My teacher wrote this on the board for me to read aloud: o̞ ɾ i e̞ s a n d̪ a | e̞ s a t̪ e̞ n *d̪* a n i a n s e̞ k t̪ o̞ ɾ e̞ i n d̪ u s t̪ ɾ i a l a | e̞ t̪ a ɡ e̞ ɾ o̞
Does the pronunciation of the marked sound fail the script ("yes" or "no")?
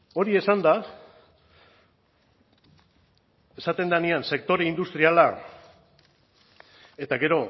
no